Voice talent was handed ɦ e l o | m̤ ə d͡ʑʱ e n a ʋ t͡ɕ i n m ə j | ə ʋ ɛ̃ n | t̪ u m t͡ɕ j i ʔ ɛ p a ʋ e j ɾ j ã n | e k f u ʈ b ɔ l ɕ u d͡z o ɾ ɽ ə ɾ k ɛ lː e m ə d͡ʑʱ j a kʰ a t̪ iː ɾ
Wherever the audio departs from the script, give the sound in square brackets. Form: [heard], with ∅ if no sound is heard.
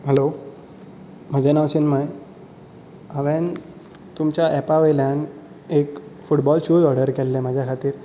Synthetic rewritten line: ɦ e l o | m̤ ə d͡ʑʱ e n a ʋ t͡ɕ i n m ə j | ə ʋ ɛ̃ n | t̪ u m t͡ɕ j [a] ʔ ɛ p a ʋ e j [l] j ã n | e k f u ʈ b ɔ l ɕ u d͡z [ɔ] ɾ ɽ ə ɾ k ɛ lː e m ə d͡ʑʱ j a kʰ a t̪ iː ɾ